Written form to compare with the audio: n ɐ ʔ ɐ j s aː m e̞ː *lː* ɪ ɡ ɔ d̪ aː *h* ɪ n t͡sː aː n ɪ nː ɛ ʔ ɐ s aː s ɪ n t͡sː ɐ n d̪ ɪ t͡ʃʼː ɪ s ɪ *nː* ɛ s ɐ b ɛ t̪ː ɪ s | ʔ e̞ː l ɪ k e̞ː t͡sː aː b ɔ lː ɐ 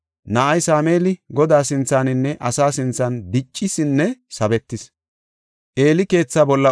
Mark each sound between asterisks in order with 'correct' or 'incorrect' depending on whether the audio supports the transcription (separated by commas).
incorrect, incorrect, correct